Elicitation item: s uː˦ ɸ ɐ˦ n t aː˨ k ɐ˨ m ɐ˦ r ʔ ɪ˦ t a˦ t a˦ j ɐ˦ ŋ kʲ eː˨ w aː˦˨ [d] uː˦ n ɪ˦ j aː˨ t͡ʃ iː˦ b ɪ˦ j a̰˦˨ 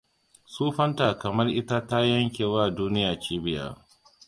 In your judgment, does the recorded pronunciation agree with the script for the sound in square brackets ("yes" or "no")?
yes